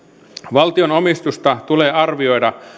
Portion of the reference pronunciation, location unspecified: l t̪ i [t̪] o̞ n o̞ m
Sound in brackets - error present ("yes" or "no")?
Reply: yes